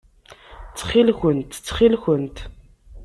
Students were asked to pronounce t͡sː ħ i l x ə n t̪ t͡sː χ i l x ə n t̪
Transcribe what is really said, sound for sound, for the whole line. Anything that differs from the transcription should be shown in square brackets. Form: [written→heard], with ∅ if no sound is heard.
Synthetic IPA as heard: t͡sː [ħ→χ] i l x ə n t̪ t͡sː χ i l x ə n t̪